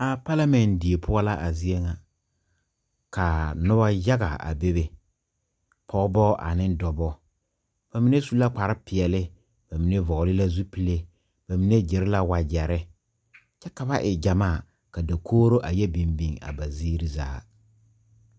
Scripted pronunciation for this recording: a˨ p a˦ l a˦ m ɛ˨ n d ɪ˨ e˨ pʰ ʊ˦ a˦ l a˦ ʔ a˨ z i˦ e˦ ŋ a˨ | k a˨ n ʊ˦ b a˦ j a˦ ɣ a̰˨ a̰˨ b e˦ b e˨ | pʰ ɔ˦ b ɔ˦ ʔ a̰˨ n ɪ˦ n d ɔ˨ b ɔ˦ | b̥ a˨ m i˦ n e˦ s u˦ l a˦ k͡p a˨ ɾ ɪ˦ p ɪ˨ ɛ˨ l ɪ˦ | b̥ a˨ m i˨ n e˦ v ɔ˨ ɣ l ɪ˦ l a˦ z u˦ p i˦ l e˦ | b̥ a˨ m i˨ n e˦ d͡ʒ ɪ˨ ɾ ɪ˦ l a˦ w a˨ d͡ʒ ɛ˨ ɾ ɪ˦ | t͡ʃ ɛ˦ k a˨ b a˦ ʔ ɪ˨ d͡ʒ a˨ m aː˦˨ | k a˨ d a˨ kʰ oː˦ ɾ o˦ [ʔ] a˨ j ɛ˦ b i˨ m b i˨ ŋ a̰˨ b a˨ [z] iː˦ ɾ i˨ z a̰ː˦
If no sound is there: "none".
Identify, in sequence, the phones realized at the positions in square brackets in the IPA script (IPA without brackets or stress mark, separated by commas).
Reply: ʔ, z